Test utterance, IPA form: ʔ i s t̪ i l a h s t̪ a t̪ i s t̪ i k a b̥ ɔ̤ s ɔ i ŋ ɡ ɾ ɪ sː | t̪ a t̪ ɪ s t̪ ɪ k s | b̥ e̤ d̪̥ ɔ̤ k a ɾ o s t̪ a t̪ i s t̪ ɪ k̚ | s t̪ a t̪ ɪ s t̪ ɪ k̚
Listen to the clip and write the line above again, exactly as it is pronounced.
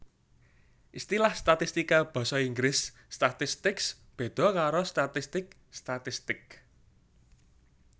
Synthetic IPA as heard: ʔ i s t̪ i l a h s t̪ a t̪ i s t̪ i k a b̥ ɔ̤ s ɔ i ŋ ɡ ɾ ɪ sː | t̪ a t̪ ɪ s t̪ ɪ k s | b̥ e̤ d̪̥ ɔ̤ k a ɾ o s t̪ a t̪ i s t̪ ɪ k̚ | s t̪ a t̪ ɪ s t̪ ɪ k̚